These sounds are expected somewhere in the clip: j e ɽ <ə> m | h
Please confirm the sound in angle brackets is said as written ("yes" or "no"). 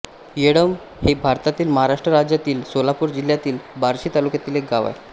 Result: yes